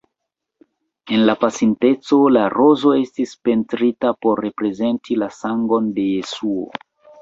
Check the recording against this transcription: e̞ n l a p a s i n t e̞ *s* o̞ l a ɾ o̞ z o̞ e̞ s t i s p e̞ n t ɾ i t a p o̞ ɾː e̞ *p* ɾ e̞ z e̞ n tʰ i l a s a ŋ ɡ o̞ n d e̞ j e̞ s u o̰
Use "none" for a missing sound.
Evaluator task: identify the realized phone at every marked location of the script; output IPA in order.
t͡s, p

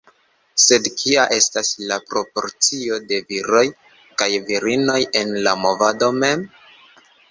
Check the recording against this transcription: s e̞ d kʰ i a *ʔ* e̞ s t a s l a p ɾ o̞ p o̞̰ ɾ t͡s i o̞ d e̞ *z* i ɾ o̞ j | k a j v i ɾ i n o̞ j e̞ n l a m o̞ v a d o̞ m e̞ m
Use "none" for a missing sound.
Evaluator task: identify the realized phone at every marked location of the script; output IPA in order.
ʔ, v

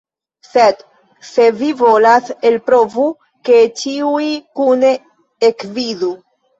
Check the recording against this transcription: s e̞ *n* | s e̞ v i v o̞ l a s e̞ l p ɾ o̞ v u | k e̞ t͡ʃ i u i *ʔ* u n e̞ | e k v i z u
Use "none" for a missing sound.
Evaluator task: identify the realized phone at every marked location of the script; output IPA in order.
d, k

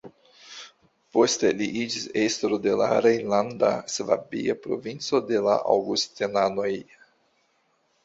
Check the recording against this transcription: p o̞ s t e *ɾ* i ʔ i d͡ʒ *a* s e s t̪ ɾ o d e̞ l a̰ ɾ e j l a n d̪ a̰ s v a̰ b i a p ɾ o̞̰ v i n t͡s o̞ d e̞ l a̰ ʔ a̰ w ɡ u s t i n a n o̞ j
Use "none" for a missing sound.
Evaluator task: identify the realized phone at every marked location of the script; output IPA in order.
l, i

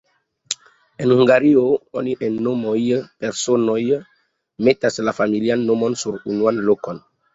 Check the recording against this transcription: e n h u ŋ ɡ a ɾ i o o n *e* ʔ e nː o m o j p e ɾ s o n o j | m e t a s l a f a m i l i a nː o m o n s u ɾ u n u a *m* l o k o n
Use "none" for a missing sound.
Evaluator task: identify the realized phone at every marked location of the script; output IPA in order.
i, n

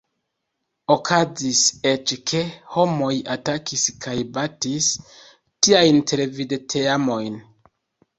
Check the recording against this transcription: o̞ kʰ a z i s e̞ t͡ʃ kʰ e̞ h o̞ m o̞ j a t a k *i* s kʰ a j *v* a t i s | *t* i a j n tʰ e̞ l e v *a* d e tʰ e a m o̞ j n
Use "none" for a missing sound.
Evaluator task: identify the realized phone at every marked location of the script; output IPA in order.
i, b, t, i

